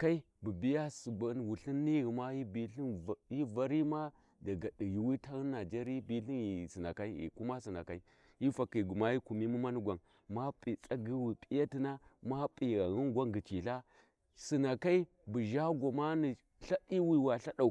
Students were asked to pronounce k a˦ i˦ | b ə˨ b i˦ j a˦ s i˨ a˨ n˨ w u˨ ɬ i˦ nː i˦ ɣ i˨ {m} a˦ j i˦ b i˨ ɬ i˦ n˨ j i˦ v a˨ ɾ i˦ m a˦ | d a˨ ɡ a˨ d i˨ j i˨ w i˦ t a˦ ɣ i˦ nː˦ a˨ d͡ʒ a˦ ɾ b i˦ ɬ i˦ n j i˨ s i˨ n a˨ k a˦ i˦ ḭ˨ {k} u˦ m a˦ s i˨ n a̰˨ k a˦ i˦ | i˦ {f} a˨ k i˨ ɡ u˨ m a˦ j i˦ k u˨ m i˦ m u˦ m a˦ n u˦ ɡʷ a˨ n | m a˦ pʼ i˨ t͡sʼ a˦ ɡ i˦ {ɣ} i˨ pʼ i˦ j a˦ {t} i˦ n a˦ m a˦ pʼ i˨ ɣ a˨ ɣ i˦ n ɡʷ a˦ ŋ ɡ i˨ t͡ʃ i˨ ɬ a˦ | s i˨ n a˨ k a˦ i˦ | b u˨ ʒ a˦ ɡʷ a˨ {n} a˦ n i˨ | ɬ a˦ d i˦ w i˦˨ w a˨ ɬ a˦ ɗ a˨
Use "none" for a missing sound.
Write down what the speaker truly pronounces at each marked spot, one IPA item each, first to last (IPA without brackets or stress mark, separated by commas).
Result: m, k, f, w, t, m